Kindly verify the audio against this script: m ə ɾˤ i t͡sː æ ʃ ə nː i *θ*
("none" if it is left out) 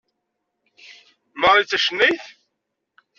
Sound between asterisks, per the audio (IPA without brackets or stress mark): θ